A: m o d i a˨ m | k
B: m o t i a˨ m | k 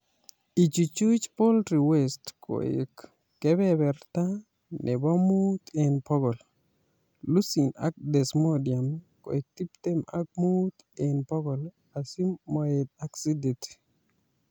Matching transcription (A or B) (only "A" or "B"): A